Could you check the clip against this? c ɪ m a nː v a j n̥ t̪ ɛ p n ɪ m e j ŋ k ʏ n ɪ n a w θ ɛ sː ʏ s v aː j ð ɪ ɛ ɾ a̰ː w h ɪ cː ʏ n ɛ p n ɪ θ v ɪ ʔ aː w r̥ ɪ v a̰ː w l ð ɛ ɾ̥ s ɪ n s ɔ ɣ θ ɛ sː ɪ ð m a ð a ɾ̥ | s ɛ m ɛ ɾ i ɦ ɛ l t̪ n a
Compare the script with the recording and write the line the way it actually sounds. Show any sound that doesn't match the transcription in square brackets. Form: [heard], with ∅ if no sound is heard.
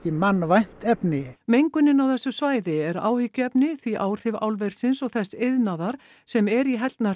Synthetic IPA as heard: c ɪ m a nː v a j n̥ t̪ ɛ p n ɪ m e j ŋ k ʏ n ɪ n a w θ ɛ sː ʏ s v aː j ð ɪ ɛ ɾ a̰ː w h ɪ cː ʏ [∅] ɛ p n ɪ θ v [i] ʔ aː w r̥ ɪ v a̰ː w l [v] ɛ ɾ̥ s ɪ n s ɔ ɣ θ ɛ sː ɪ ð [n] a ð a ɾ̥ | s ɛ m ɛ ɾ i ɦ ɛ l t̪ n a

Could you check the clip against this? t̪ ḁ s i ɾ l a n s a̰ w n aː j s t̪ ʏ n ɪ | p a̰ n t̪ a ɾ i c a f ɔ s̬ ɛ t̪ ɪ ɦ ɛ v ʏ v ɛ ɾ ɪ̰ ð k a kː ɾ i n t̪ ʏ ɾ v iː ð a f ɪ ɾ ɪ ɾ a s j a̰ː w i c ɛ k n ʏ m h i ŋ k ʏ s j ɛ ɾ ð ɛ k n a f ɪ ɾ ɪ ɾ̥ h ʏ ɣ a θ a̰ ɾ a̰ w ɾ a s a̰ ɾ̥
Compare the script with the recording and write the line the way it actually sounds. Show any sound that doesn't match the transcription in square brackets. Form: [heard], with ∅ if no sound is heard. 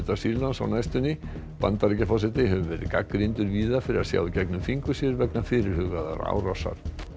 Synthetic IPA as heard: t̪ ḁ s i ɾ l a n s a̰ w n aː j s t̪ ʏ n ɪ | p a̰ n t̪ a ɾ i c a f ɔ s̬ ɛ t̪ ɪ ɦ ɛ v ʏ v ɛ ɾ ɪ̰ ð k a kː ɾ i n t̪ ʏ ɾ v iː ð a f ɪ ɾ ɪ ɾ a s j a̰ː w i c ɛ k n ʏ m [f] i ŋ k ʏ s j ɛ ɾ [v] ɛ k n a f ɪ ɾ ɪ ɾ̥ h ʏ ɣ a [ð] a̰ ɾ a̰ w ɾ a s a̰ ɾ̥

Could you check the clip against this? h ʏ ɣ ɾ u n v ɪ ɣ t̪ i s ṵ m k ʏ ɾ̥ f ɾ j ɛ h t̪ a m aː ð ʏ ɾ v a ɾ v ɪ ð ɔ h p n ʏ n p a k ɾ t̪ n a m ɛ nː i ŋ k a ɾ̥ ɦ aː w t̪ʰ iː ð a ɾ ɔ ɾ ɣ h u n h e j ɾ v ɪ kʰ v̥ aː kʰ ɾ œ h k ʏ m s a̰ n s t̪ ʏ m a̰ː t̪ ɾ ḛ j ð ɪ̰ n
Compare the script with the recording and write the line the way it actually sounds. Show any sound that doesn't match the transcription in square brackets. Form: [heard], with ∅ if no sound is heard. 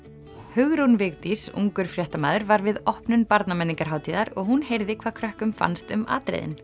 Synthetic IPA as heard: h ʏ ɣ ɾ u n v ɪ ɣ t̪ i s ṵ [ŋ] k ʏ ɾ̥ f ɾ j ɛ h t̪ a m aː ð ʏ ɾ v a ɾ v ɪ ð ɔ h p n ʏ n p a [∅] ɾ t̪ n a m ɛ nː i ŋ k a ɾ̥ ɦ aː w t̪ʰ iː ð a ɾ ɔ [∅] ɣ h u n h e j ɾ [ð] ɪ kʰ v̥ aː kʰ ɾ œ h k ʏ m [f] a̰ n s t̪ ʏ m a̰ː t̪ ɾ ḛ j ð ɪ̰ n

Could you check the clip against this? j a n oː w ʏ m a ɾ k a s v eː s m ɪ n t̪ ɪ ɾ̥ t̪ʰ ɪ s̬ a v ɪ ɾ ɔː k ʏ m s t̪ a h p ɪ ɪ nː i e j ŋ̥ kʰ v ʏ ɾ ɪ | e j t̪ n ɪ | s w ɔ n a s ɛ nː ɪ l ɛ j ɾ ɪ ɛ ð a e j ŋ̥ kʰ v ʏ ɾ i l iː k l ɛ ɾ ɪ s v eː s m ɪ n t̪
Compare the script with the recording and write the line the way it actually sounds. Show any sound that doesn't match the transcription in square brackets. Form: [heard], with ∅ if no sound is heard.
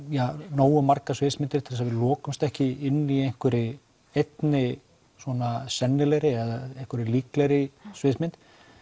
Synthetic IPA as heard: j a n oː w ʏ m a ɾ k a s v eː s m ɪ n t̪ ɪ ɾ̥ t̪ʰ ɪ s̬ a v ɪ [l] ɔː k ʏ m s t̪ [ɛ] h [c] ɪ ɪ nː i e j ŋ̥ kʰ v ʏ ɾ ɪ | e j t̪ n ɪ | s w ɔ n a s ɛ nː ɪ l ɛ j ɾ ɪ ɛ ð a e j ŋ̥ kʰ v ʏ ɾ [ɪ] l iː k l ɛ ɾ ɪ s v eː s m ɪ n t̪

